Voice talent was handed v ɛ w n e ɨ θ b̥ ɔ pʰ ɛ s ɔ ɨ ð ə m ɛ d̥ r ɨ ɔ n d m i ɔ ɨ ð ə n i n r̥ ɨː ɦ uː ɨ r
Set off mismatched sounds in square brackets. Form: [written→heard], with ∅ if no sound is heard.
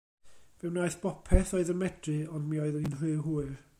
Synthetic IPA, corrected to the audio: v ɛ w n [e→a] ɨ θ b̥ ɔ pʰ ɛ [s→θ] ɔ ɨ ð ə m ɛ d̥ r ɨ ɔ n d m i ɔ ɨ ð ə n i n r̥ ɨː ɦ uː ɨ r